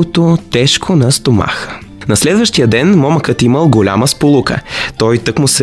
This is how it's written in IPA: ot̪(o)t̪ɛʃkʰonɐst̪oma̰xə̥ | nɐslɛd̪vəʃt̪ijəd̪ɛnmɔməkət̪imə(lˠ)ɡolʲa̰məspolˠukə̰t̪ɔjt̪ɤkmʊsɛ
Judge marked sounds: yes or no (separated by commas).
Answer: yes, yes